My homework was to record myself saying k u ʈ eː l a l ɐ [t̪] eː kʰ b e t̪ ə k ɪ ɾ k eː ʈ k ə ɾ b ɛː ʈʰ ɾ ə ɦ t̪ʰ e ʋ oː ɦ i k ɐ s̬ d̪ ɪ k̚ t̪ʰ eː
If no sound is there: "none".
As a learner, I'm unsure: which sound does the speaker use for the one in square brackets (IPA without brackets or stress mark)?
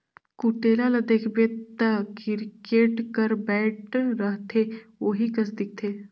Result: d̪